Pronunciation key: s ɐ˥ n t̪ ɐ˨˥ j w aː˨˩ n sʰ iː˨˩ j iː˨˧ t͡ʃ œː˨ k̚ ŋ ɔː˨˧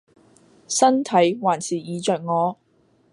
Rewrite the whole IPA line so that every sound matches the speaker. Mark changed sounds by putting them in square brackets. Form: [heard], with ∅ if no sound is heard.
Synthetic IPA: s ɐ˥ n [t̪ʰ] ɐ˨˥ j w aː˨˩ n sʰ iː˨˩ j iː˨˧ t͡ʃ œː˨ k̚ ŋ ɔː˨˧